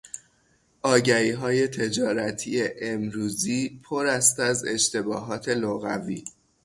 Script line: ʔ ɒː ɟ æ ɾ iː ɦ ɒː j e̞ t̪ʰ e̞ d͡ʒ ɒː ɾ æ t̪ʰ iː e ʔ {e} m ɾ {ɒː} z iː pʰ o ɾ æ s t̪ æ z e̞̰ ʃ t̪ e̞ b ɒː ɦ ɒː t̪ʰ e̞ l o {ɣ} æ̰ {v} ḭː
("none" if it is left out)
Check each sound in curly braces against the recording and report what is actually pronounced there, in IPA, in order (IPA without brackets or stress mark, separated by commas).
e, uː, ɣ, v